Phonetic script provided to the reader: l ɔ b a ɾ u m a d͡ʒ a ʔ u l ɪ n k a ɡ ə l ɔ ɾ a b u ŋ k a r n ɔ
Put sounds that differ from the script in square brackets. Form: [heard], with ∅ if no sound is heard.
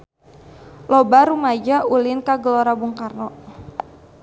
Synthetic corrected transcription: l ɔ b a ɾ u m a d͡ʒ a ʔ u l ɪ n k a ɡ ə l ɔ ɾ a b u ŋ k a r n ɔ